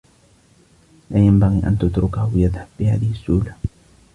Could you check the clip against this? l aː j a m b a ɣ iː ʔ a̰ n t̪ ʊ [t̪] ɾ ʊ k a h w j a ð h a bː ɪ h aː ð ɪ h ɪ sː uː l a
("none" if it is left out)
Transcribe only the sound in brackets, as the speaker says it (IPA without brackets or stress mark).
t̪